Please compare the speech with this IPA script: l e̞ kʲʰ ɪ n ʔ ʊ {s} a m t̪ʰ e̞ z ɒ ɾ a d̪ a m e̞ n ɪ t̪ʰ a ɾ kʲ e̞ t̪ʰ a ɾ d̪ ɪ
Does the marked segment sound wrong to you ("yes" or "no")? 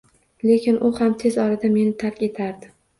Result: yes